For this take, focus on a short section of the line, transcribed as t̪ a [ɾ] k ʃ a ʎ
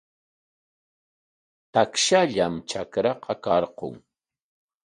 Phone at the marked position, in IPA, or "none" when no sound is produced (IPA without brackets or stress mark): none